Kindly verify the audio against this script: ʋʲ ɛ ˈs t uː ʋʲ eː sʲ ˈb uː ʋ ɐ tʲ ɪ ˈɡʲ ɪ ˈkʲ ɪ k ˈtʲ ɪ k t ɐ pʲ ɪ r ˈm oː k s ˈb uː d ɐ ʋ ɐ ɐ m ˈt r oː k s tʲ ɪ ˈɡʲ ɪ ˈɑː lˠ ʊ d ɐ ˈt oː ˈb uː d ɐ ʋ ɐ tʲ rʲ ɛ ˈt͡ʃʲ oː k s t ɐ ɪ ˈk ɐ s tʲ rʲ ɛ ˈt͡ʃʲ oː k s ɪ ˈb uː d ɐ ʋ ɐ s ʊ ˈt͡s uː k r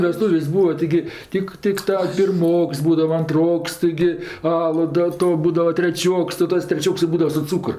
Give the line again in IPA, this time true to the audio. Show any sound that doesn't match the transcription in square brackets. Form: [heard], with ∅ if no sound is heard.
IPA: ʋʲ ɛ ˈs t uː ʋʲ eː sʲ ˈb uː ʋ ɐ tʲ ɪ ˈɡʲ ɪ [ˈtʲ] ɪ k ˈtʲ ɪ k t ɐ pʲ ɪ r ˈm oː k s ˈb uː d ɐ ʋ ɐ ɐ [n] ˈt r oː k s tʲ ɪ ˈɡʲ ɪ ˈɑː lˠ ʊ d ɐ ˈt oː ˈb uː d ɐ ʋ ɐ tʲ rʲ ɛ ˈt͡ʃʲ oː k s t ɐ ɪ [ˈt] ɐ s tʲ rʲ ɛ ˈt͡ʃʲ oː k s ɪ ˈb uː d ɐ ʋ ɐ s ʊ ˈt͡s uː k r